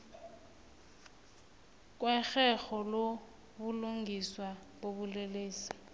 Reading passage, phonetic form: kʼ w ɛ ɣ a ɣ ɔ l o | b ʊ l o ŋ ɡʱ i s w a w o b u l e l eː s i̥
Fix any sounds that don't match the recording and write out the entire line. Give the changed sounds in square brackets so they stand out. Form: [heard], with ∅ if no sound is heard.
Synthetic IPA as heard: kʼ w ɛ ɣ [ɛ] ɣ ɔ l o | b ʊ l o ŋ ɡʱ i s w a [b] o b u l e l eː s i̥